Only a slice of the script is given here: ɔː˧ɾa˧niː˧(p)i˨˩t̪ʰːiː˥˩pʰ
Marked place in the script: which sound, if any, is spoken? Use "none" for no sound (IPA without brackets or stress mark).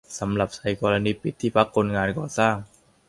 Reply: p